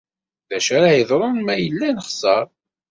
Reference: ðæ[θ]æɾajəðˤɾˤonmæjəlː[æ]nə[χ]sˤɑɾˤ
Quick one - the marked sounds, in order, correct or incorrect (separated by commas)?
incorrect, correct, correct